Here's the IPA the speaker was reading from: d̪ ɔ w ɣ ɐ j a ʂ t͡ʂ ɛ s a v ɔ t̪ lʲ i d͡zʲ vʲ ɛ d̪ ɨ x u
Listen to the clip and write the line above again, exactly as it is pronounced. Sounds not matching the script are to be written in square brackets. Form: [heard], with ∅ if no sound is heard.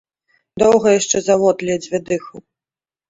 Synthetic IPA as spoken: d̪ ɔ w ɣ ɐ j a ʂ t͡ʂ ɛ [z] a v ɔ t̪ lʲ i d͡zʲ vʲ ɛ d̪ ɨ x u